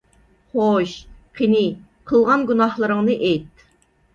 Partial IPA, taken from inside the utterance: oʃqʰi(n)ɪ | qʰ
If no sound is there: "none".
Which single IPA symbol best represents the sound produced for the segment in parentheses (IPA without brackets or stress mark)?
n